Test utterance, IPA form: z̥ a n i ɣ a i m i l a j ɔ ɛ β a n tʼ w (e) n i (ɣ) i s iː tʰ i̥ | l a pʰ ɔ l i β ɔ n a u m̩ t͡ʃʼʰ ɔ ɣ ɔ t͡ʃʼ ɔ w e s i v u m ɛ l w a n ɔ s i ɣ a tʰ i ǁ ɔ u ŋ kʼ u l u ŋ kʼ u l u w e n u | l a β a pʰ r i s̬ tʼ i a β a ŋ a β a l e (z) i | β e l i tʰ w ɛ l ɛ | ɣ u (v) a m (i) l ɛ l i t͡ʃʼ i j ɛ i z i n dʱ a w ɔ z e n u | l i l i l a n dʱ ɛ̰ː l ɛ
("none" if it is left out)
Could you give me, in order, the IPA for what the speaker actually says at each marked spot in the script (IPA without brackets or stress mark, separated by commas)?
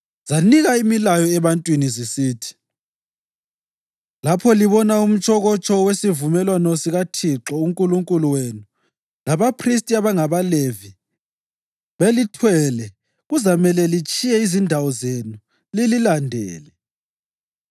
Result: i, z, v, z, ɛ